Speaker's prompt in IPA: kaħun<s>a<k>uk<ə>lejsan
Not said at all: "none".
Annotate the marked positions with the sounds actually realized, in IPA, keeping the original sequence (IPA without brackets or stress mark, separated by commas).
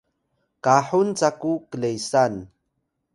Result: t͡s, k, ə